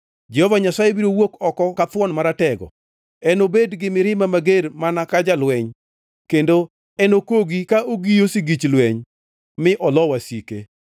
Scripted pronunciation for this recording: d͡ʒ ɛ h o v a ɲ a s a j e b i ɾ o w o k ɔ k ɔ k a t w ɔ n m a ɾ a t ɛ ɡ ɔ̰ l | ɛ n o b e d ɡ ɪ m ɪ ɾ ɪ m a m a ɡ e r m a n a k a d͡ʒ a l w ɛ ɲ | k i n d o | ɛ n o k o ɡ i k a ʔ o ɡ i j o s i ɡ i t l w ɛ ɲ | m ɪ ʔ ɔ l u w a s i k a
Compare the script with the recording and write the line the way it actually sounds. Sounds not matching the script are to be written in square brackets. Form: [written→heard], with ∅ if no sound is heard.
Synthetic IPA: d͡ʒ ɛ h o v a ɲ a s a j e b i ɾ o w o k ɔ k ɔ k a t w ɔ n m a ɾ a t ɛ ɡ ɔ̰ [l→∅] | ɛ n o b e d ɡ ɪ m ɪ ɾ ɪ m a m a ɡ e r m a n a k a d͡ʒ a l w ɛ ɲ | k [i→e] n d o | ɛ n o k o ɡ i k a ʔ o ɡ i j o s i ɡ i [t→t͡ʃ] l w ɛ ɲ | m ɪ ʔ ɔ l [u→ɔ] w a s i k [a→e]